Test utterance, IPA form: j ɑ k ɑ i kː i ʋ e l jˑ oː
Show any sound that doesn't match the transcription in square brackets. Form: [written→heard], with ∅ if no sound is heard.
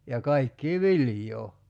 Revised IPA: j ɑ k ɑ i kː [i→iː] ʋ [e→i] l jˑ oː

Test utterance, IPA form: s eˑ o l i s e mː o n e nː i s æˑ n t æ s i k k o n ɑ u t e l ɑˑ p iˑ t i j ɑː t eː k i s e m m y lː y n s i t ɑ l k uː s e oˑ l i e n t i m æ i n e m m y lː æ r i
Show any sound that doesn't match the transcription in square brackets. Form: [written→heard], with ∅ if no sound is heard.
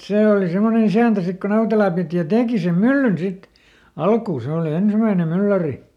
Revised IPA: s eˑ o l i s e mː o n e [nː→n] i s æˑ n t æ s i k k o n ɑ u t e l ɑˑ p iˑ t i j [ɑː→ɑ] t eː k i s e m m y lː y n s i t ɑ l k uː s e oˑ l i e n [t→s] i m æ i n e m m y lː æ r i

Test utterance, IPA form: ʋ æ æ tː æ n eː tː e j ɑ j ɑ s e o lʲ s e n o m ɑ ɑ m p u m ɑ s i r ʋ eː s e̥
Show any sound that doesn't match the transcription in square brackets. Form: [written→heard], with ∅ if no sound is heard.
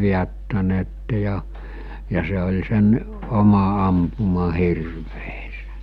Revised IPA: ʋ [æ→i] æ tː æ n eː tː e j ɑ j ɑ s e o lʲ s e n o m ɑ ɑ m p u m ɑ [s→h] i r ʋ eː s e̥

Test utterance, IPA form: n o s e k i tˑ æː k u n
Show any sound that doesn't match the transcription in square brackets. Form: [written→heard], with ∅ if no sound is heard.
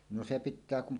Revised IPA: n o s e [k→p] i tˑ æː k u [n→m]

